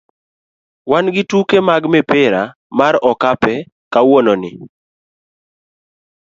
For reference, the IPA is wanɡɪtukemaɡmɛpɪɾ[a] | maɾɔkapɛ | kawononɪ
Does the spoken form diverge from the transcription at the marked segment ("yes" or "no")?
no